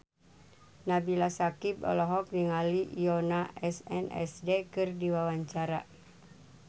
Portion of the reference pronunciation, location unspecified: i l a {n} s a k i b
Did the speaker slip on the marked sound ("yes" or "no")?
yes